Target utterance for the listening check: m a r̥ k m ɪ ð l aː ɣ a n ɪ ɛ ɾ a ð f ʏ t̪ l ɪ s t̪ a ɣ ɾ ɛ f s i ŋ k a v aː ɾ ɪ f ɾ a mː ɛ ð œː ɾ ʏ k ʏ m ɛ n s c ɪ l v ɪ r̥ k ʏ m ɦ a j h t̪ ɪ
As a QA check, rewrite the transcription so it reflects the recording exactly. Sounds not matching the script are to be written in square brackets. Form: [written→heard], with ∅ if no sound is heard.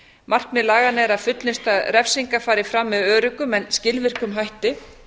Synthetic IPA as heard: m a r̥ k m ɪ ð l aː ɣ a n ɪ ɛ ɾ a ð f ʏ t̪ l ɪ s t̪ a [ɣ→ð] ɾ ɛ f s i ŋ k a [v→f] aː ɾ ɪ f ɾ a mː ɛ ð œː ɾ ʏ k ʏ m ɛ n s c ɪ l v ɪ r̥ k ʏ m ɦ a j h t̪ ɪ